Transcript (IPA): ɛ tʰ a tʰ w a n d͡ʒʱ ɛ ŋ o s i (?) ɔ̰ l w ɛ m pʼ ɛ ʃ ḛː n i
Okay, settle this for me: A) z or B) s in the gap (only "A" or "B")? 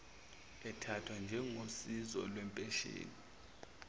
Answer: A